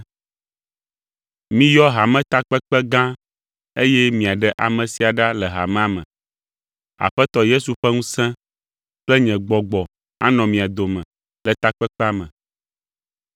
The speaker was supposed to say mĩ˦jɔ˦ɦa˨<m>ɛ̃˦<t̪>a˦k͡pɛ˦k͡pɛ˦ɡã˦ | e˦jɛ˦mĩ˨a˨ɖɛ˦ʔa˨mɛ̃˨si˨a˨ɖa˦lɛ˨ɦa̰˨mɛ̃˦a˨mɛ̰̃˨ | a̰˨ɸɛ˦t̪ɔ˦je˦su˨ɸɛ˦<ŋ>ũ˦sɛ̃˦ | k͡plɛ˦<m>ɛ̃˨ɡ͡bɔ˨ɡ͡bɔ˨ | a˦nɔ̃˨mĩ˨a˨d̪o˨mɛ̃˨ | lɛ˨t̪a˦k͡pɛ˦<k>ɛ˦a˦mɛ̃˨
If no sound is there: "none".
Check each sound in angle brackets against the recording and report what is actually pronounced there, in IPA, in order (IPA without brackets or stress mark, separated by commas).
m, t̪, ŋ, ɲ, k͡p